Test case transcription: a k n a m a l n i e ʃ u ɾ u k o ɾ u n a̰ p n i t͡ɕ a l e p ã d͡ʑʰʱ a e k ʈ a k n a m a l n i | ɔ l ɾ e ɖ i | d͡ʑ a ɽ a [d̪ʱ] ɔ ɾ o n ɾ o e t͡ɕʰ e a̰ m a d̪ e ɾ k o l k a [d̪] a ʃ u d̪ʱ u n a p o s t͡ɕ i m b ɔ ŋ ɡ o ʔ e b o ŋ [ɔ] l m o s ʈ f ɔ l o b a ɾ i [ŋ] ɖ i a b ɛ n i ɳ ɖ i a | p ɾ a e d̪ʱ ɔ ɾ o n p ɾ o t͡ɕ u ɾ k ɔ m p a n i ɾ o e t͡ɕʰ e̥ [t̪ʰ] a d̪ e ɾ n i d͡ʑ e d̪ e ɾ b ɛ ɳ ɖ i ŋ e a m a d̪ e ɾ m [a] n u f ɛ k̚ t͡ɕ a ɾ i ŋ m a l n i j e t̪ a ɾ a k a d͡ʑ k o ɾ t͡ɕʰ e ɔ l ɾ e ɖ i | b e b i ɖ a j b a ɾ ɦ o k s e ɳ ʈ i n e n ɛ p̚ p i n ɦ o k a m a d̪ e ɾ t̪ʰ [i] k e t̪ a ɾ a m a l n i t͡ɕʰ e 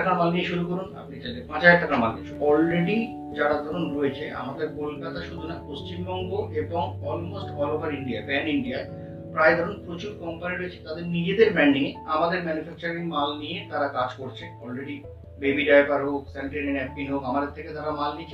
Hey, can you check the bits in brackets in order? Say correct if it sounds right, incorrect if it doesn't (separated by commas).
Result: correct, incorrect, correct, incorrect, incorrect, incorrect, incorrect